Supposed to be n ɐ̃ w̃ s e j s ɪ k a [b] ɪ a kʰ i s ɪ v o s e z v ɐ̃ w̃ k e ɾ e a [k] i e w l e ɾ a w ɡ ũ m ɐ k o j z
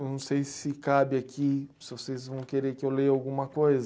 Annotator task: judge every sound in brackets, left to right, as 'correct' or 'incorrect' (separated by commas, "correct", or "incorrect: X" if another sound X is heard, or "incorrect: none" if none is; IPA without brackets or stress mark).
correct, correct